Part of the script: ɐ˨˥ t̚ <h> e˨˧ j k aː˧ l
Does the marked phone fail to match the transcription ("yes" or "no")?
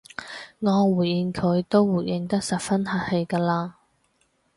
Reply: no